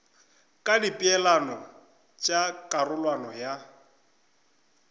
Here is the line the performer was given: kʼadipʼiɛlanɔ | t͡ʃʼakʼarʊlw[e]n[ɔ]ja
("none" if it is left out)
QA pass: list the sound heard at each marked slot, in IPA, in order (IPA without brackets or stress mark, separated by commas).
a, ɔ